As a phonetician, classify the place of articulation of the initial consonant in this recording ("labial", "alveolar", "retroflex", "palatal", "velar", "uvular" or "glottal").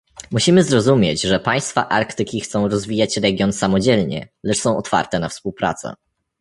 labial